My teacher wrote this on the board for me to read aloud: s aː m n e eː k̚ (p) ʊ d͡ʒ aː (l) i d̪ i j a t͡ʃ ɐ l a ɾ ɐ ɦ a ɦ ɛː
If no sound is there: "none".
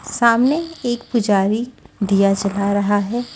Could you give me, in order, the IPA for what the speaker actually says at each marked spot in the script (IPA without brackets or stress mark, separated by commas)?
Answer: p, ɾ